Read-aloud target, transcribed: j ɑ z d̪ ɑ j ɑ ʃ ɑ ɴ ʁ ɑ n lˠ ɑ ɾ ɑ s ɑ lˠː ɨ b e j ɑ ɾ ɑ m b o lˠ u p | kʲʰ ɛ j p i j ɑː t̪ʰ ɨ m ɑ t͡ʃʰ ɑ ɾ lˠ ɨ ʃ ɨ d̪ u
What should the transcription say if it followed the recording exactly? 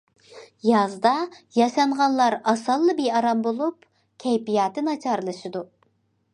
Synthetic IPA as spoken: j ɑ z d̪ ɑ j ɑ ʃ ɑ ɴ ʁ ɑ n lˠ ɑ ɾ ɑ s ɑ lˠː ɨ b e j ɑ ɾ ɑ m b o lˠ u p | kʲʰ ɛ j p i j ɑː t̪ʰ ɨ n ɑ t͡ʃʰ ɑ ɾ lˠ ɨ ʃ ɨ d̪ u